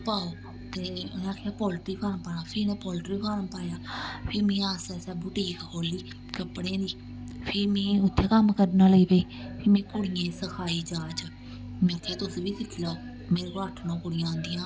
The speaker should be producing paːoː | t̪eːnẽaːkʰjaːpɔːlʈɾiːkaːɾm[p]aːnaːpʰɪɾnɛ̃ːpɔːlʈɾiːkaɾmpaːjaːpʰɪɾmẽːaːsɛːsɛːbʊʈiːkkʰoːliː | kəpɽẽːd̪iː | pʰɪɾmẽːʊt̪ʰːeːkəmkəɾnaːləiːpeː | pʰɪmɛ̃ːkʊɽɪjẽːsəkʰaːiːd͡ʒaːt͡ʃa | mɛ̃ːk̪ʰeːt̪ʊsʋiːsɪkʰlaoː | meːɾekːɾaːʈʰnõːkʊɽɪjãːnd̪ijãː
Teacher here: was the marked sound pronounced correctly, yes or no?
yes